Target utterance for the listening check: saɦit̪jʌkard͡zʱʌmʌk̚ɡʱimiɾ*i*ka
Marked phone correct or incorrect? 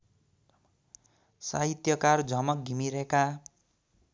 incorrect